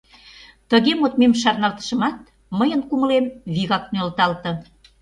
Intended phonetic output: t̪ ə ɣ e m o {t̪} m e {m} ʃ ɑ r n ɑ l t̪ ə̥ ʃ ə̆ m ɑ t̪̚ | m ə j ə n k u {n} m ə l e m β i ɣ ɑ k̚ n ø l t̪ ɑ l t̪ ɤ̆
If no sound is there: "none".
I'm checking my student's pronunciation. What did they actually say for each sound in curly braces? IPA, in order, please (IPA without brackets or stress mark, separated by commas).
t̪, m, none